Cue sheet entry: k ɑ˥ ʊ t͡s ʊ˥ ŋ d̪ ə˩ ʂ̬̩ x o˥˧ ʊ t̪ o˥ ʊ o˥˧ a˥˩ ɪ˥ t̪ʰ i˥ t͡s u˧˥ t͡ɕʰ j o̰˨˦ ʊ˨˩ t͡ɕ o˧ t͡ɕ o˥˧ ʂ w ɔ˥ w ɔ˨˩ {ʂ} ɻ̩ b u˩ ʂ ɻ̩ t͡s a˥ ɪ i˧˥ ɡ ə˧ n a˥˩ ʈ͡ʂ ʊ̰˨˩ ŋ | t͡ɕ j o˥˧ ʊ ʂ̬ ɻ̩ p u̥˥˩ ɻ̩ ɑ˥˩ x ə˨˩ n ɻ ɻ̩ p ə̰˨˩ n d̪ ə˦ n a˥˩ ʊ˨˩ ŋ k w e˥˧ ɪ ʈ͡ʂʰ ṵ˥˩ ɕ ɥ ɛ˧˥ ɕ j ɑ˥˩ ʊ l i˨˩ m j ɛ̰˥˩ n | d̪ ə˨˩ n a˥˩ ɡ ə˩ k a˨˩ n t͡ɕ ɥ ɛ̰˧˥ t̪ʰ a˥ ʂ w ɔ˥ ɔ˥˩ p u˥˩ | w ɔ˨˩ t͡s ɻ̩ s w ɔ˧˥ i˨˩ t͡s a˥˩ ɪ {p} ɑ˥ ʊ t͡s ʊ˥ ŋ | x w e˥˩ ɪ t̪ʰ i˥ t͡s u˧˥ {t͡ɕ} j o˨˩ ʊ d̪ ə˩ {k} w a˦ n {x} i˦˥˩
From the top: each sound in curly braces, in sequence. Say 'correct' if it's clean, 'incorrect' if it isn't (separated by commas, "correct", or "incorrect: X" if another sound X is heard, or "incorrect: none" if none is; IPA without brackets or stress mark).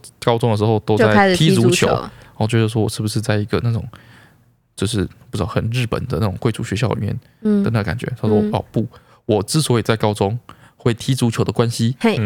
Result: correct, incorrect: k, incorrect: t͡ɕʰ, correct, incorrect: ɕ